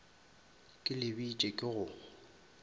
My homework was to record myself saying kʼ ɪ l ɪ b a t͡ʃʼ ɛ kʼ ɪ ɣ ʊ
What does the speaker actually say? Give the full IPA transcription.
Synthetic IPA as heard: kʼ ɪ l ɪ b i t͡ʃʼ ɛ kʼ ɪ ɣ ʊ